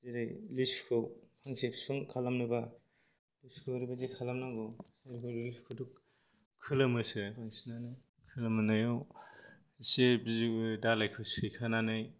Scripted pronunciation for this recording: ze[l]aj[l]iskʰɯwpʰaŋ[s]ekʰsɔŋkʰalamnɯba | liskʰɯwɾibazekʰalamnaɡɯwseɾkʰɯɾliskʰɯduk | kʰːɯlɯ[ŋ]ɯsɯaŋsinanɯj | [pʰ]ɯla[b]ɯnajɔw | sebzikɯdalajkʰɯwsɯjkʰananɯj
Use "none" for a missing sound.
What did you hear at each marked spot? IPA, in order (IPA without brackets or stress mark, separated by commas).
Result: ɾ, l, s, m, kʰ, m